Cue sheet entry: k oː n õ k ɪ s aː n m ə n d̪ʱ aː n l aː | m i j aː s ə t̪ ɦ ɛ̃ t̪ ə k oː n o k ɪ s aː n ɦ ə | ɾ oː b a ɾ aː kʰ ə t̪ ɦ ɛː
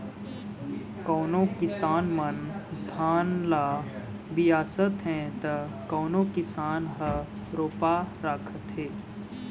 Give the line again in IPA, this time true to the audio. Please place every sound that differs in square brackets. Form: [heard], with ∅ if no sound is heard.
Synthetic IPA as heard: k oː n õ k ɪ s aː n m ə n d̪ʱ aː n l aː | [b] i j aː s ə t̪ ɦ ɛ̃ t̪ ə k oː n o k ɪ s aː n ɦ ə | ɾ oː [p] a ɾ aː kʰ ə t̪ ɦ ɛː